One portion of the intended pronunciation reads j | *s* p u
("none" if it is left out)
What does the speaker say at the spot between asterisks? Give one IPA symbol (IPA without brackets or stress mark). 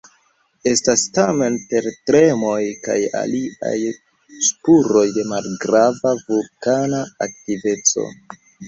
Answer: s